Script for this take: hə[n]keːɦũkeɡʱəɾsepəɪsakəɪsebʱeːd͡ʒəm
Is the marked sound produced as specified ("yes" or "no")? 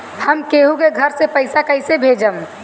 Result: no